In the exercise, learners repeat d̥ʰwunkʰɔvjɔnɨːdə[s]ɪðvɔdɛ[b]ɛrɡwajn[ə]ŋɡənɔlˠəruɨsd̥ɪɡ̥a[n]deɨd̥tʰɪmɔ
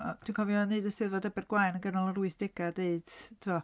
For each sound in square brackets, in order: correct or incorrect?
correct, correct, correct, incorrect

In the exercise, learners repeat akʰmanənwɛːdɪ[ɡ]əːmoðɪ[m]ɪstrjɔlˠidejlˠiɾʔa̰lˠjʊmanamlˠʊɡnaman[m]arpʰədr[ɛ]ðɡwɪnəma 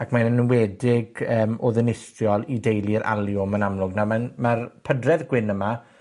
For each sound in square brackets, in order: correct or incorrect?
correct, incorrect, correct, correct

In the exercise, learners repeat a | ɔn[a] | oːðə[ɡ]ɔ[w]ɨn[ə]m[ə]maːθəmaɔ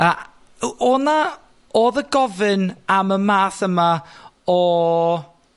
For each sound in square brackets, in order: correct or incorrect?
correct, correct, incorrect, incorrect, correct

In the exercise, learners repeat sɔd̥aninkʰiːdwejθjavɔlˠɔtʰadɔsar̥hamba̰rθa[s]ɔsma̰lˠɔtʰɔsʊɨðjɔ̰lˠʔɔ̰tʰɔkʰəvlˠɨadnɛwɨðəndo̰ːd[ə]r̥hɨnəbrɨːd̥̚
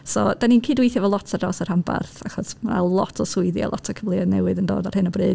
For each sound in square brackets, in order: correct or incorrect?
incorrect, incorrect

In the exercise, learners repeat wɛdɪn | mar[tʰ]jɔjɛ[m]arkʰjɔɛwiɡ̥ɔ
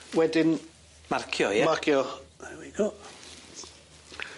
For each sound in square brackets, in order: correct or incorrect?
incorrect, correct

